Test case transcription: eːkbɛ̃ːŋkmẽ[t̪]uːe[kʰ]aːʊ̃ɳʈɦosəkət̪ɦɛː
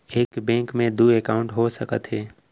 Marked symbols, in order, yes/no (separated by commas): no, no